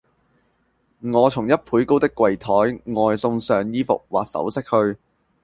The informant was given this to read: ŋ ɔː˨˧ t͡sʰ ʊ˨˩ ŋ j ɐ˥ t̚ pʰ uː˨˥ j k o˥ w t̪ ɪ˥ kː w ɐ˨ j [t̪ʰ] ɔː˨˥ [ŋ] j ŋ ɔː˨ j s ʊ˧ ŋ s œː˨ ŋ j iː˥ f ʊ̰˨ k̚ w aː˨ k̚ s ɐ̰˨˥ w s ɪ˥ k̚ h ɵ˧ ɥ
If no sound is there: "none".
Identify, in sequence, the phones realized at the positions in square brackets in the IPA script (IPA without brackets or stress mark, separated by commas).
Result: t̪ʰ, none